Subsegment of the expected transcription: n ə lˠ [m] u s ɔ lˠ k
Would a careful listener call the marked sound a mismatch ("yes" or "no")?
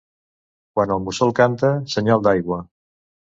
no